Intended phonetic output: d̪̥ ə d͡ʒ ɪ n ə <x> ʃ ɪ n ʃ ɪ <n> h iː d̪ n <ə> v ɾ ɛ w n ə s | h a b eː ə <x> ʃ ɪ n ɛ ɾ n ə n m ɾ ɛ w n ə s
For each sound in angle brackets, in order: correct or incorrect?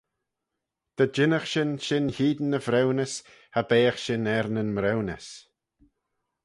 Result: correct, correct, correct, correct

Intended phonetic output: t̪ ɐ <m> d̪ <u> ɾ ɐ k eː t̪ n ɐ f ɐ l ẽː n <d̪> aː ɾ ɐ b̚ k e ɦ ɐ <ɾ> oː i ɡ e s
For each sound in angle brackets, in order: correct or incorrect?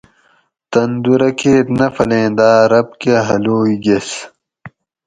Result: incorrect, correct, correct, incorrect

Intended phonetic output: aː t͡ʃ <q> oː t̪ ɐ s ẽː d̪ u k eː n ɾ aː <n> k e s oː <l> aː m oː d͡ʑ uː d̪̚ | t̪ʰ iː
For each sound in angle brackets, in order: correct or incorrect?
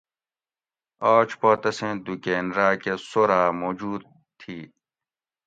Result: incorrect, incorrect, incorrect

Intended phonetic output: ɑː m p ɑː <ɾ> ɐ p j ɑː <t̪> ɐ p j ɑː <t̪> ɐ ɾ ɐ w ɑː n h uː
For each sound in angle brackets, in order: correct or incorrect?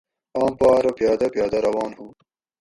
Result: correct, incorrect, incorrect

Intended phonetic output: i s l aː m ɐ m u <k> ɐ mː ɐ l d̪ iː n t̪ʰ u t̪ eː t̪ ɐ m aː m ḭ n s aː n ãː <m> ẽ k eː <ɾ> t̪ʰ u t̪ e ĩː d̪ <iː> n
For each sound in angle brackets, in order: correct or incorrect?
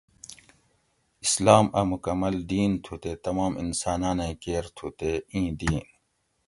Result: correct, incorrect, correct, correct

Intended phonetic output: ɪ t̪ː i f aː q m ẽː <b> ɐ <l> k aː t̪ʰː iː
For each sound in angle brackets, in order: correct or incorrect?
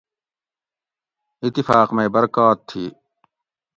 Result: correct, incorrect

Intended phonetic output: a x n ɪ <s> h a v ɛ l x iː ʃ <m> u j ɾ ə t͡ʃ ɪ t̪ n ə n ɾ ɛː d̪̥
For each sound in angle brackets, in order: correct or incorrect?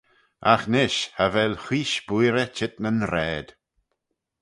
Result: incorrect, incorrect

